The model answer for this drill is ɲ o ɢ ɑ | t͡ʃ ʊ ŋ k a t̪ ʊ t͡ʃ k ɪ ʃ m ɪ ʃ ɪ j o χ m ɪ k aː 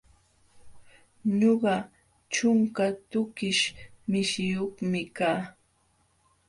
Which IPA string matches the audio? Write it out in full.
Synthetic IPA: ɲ o ɢ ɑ | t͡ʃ ʊ ŋ k a t̪ ʊ k ɪ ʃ m ɪ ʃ ɪ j o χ m ɪ k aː